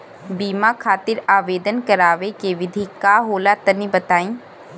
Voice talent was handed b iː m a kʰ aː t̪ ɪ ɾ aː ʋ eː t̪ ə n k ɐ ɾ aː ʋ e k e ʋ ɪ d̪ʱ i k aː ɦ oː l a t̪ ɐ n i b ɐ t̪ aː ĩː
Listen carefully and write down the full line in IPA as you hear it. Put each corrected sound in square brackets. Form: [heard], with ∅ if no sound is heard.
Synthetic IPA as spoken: b iː m a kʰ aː t̪ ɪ ɾ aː ʋ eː [d̪] ə n k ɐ ɾ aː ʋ e k e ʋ ɪ d̪ʱ i k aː ɦ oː l a t̪ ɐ n i b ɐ t̪ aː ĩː